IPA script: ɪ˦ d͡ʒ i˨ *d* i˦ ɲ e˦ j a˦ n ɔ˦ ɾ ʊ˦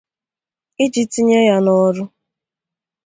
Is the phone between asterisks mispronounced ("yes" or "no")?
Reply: yes